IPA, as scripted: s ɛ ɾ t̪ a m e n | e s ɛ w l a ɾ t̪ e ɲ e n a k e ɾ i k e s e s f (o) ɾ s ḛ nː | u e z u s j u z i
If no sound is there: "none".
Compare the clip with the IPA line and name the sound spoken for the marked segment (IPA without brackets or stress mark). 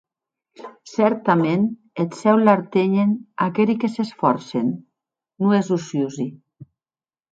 ɔ